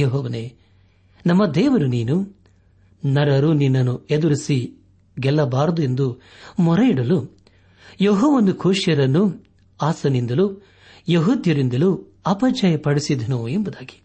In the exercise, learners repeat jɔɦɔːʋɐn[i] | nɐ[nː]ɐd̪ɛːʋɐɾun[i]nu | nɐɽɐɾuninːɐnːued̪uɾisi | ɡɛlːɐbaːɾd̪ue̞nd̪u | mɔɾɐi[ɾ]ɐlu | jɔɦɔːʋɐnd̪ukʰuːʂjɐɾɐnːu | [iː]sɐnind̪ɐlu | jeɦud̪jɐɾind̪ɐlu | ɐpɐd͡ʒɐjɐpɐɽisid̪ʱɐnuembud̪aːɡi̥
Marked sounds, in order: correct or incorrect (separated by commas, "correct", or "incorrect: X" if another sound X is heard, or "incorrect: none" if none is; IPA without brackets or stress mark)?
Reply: incorrect: e, incorrect: mː, incorrect: iː, incorrect: ɽ, incorrect: aː